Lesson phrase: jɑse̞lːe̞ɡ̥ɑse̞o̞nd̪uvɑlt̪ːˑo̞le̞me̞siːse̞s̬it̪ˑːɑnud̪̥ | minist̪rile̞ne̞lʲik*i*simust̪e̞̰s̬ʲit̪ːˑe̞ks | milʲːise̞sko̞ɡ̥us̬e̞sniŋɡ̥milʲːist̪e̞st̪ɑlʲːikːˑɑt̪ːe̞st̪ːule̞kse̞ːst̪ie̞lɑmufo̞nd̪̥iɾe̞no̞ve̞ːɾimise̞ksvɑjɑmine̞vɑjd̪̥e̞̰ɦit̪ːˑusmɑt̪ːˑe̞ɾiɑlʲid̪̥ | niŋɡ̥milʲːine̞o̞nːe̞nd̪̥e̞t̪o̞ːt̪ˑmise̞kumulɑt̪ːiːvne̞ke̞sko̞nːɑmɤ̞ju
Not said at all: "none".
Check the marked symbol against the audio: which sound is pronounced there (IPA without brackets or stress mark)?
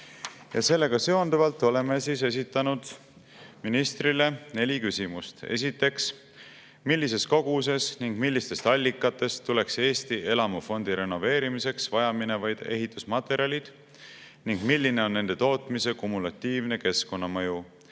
y